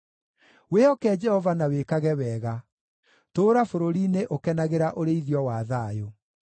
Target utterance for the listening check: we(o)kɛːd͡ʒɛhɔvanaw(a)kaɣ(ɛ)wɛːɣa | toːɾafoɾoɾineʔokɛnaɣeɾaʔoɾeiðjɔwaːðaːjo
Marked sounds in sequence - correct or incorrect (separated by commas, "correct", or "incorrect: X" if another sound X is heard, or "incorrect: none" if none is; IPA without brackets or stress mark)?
incorrect: ɔ, incorrect: e, correct